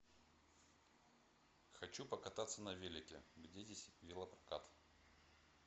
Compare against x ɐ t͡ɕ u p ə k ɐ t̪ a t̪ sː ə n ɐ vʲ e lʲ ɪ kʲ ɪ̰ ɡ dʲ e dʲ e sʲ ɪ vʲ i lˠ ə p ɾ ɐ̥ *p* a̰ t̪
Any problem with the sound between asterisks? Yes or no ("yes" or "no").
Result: yes